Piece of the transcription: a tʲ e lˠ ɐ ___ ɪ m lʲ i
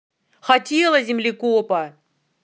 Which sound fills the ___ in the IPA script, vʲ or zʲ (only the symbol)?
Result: zʲ